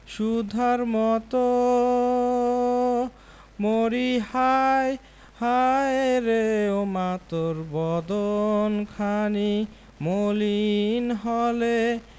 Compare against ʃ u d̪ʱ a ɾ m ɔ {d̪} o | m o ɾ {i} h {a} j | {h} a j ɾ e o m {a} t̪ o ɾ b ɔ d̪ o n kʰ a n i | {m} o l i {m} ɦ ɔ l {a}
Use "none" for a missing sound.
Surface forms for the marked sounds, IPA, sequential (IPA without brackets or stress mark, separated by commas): t̪, i, a, h, a, m, n, e